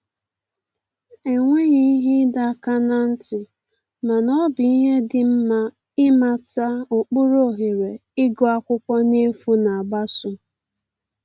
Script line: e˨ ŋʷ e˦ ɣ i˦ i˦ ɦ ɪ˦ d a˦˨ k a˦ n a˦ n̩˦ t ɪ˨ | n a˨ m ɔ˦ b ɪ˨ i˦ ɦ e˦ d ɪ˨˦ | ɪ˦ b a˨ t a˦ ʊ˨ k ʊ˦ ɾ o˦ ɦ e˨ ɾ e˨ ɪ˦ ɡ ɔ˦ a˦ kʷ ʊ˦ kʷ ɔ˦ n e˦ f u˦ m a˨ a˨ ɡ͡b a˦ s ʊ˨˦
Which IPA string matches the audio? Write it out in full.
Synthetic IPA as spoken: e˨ ŋʷ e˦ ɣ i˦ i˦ ɦ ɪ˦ d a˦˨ k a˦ n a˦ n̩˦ t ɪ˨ | m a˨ n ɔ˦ b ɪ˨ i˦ ɦ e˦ d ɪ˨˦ | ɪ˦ m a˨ t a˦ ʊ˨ k͡p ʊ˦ ɾ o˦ ɦ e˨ ɾ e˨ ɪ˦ ɡ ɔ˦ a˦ kʷ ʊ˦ kʷ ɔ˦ n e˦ f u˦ n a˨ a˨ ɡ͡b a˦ s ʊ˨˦